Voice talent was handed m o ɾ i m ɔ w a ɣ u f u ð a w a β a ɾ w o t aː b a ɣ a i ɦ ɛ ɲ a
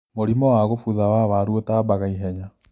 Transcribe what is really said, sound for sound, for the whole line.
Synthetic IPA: m o ɾ i m ɔ w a ɣ o f u ð a w a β a ɾ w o t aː b a ɣ a i ɦ ɛ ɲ a